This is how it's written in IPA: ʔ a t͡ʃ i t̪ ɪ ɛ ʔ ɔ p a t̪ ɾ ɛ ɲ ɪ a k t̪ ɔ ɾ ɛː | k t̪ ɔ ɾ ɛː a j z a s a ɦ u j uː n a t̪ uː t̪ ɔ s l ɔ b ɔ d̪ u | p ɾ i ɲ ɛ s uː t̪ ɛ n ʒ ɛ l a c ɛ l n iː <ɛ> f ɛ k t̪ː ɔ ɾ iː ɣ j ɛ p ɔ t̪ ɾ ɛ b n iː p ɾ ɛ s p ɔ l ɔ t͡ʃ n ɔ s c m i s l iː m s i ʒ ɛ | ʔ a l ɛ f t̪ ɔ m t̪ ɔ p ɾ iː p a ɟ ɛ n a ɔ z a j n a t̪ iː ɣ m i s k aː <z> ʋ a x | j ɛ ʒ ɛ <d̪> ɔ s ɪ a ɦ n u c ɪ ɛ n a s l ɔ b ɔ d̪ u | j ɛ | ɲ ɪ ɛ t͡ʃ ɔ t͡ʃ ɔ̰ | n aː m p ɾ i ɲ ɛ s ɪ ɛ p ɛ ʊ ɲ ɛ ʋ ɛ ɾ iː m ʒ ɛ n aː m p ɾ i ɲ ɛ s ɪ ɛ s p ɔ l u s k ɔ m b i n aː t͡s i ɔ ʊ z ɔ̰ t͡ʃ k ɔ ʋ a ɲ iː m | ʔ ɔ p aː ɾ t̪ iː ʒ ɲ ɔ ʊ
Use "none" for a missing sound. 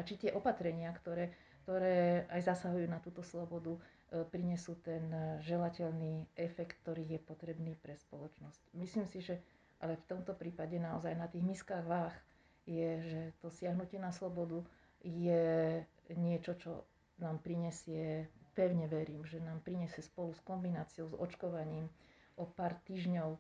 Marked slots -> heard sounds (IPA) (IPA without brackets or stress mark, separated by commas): ɛ, ɣ, t̪